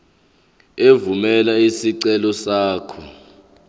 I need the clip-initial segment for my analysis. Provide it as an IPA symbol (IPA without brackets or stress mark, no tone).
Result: e